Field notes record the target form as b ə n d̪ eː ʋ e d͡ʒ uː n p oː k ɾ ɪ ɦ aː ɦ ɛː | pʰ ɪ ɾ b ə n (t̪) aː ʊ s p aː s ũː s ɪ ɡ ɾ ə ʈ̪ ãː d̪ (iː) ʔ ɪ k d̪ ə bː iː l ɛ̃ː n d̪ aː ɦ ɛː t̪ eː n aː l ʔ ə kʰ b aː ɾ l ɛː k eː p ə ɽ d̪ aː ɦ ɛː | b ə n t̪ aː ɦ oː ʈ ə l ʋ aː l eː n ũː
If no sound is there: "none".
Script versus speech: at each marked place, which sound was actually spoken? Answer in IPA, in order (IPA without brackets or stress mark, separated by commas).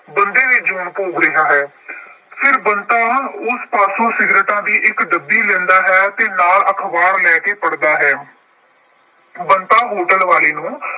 t̪, iː